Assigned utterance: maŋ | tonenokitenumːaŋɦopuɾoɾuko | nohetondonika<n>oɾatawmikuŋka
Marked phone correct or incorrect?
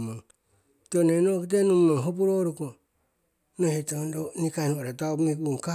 correct